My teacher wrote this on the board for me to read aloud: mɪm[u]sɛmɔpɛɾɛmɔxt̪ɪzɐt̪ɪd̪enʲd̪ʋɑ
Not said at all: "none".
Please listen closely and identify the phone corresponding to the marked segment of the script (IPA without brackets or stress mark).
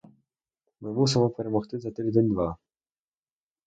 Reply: u